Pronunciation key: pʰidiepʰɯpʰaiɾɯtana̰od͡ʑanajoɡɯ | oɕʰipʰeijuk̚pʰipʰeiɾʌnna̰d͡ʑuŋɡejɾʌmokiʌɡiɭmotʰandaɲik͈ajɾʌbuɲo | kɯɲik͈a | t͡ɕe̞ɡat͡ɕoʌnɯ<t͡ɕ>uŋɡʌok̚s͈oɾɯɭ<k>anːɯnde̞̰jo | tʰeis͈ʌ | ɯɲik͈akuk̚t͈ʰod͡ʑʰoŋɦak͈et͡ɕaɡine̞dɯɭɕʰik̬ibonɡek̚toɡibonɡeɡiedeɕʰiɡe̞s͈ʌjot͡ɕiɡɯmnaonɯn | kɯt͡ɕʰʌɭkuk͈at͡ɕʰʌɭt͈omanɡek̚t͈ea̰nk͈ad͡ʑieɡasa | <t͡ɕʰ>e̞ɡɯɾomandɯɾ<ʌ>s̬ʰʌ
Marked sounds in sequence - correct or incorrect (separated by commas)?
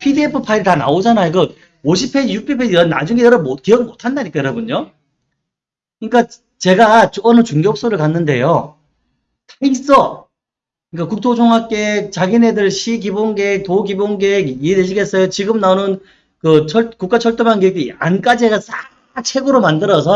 correct, correct, correct, correct